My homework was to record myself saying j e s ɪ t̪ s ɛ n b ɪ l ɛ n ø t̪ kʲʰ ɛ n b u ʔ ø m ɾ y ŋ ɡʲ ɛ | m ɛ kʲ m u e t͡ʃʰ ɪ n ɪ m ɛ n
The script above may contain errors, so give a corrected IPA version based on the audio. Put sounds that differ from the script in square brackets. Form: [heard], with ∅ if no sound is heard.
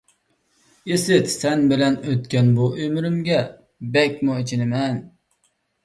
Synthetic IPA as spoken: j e s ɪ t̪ s ɛ n b ɪ l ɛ n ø t̪ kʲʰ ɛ n b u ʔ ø m ɾ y [m] ɡʲ ɛ | [b] ɛ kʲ m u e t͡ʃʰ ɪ n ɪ m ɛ n

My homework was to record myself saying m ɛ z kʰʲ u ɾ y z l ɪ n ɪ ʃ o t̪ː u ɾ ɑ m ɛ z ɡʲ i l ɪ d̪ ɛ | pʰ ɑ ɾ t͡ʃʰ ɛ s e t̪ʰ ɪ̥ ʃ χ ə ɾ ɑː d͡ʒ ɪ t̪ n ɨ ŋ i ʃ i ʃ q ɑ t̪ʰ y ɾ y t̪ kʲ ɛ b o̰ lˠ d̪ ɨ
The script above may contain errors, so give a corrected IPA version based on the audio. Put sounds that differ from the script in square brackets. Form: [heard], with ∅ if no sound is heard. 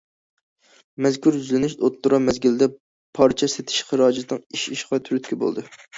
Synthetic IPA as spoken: m ɛ z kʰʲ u ɾ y z l ɪ n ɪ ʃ o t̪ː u ɾ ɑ m ɛ z ɡʲ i l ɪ d̪ ɛ | pʰ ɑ ɾ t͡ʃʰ ɛ s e t̪ʰ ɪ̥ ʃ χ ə ɾ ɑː d͡ʒ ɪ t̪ n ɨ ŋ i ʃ i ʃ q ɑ t̪ʰ y ɾ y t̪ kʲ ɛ b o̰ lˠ d̪ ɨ

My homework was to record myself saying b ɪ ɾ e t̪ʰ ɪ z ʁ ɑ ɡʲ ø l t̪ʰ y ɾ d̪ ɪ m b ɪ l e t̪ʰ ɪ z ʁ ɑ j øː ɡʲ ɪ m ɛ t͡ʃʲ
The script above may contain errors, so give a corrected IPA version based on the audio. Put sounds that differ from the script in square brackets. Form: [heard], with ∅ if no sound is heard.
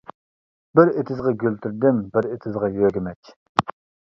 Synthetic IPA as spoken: b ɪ ɾ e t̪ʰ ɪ z ʁ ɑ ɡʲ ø l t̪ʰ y ɾ d̪ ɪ m b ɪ [ɾ] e t̪ʰ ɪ z ʁ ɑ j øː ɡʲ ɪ m ɛ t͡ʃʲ

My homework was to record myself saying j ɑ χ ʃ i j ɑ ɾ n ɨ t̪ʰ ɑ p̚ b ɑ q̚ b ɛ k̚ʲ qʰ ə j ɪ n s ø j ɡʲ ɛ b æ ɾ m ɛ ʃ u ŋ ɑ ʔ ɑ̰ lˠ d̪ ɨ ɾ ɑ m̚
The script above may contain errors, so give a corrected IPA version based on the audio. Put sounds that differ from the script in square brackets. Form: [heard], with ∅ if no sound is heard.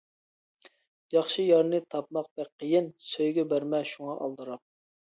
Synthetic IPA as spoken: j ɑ χ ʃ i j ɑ ɾ n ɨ t̪ʰ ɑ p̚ [m] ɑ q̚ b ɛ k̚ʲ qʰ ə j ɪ n s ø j ɡʲ ɛ b æ ɾ m ɛ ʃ u ŋ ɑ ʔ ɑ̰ lˠ d̪ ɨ ɾ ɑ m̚

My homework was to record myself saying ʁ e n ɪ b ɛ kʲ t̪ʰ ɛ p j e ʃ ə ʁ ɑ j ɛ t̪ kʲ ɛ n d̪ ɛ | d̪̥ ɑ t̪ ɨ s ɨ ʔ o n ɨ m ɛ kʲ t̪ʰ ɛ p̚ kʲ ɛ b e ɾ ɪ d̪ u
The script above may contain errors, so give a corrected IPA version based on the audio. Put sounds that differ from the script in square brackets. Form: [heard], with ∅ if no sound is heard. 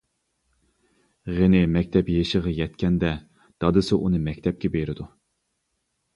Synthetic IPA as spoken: ʁ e n ɪ [m] ɛ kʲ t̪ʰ ɛ p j e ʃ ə ʁ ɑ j ɛ t̪ kʲ ɛ n d̪ ɛ | d̪̥ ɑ [d̪] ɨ s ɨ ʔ [u] n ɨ m ɛ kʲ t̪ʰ ɛ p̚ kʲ ɛ b e ɾ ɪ d̪ u

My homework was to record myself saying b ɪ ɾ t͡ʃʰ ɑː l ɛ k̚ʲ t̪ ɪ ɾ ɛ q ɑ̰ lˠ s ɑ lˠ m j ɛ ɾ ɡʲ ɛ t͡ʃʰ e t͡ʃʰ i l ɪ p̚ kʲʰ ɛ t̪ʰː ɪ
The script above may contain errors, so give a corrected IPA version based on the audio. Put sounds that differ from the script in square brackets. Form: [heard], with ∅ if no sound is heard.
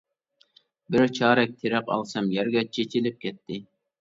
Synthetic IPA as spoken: b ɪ ɾ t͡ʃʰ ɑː [ɾ] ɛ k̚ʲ [t̪ʰ] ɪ ɾ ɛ q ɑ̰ lˠ s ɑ [∅] m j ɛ ɾ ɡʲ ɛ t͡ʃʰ e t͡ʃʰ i l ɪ p̚ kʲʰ ɛ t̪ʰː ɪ

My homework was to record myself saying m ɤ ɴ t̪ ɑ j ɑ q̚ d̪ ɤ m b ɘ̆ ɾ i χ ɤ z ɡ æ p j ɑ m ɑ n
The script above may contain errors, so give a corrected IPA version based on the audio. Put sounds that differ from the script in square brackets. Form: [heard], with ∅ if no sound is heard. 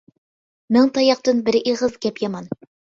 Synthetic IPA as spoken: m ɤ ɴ t̪ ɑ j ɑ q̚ [t̪] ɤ [n] b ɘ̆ ɾ i [ʁ] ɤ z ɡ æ p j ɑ m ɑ n

